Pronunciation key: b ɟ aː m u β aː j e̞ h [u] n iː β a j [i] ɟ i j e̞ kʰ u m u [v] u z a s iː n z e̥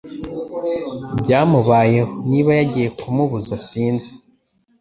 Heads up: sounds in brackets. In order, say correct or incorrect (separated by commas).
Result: incorrect, incorrect, incorrect